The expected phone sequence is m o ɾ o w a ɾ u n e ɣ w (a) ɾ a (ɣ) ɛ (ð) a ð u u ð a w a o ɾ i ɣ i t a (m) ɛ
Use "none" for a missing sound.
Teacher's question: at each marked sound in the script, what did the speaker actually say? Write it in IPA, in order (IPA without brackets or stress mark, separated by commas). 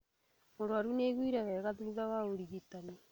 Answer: i, ɣ, ɣ, n